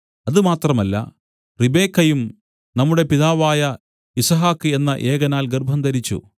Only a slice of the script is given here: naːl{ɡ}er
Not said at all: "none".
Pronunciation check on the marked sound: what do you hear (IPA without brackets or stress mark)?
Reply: ɡ